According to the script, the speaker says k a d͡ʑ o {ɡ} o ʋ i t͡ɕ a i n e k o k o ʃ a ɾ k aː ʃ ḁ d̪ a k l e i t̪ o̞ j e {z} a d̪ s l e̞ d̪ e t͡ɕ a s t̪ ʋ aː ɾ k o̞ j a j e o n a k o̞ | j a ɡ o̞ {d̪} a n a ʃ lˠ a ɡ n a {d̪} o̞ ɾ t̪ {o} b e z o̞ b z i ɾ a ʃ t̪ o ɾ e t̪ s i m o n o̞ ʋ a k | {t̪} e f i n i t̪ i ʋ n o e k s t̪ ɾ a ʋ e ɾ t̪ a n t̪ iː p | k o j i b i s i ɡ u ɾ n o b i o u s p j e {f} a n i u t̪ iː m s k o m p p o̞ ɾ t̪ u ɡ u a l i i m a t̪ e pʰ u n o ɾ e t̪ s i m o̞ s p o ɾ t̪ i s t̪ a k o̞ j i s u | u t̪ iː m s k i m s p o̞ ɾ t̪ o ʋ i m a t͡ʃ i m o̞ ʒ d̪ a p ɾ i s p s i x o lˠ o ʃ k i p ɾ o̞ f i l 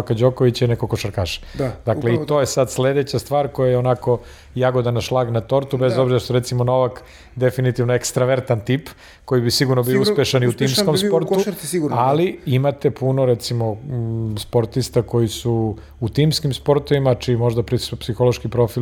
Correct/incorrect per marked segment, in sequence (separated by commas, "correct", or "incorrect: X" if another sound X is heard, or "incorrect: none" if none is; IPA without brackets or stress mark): incorrect: k, incorrect: s, correct, incorrect: t̪, incorrect: u, incorrect: d̪, incorrect: ʃ